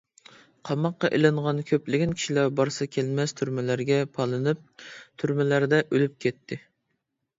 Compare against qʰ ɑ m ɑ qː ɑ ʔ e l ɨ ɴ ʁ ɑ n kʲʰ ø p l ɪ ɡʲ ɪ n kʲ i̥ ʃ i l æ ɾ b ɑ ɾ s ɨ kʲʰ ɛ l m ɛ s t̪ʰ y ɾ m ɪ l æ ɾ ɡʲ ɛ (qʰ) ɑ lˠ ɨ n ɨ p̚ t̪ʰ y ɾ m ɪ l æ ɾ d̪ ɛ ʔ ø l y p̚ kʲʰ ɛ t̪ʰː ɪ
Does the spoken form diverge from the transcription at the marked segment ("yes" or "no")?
yes